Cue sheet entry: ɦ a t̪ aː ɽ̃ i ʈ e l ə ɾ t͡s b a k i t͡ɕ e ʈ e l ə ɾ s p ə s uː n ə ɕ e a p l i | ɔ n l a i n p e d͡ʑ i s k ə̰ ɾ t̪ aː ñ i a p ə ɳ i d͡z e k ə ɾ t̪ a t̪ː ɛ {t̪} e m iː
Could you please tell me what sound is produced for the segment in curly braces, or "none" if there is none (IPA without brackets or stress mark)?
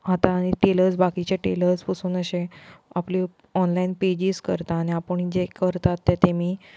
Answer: t̪